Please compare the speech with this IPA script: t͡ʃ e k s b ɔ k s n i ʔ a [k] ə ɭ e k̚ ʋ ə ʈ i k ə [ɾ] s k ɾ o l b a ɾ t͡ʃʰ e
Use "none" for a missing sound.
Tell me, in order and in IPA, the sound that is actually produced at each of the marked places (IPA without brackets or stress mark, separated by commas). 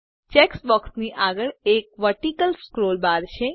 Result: ɡ, l